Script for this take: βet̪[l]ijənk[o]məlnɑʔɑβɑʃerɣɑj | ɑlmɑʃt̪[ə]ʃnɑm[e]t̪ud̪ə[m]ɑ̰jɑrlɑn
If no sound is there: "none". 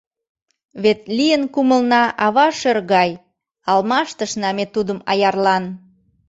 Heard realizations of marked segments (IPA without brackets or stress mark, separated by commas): l, u, ə, e, m